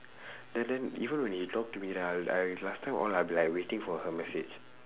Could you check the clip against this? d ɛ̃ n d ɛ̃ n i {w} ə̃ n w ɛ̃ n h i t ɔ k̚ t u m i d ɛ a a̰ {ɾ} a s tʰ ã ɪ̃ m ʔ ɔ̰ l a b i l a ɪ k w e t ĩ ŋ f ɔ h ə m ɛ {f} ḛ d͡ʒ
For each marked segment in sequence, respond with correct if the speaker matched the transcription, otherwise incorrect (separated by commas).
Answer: incorrect, incorrect, incorrect